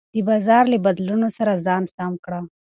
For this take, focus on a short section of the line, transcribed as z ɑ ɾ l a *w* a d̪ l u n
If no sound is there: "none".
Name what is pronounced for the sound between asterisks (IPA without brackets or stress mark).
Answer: b